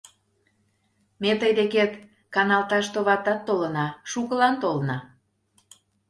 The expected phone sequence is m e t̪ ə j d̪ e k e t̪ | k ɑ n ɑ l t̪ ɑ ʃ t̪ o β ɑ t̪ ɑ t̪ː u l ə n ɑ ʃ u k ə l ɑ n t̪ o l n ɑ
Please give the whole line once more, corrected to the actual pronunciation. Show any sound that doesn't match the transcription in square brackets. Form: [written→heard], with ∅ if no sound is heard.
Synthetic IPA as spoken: m e t̪ ə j d̪ e k e t̪ | k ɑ n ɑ l t̪ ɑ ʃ t̪ o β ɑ t̪ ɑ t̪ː [u→o] l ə n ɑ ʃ u k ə l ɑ n t̪ o l n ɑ